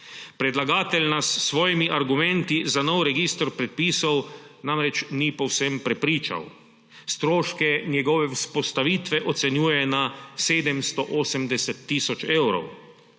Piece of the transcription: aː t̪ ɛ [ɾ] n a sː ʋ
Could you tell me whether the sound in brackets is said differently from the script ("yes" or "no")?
yes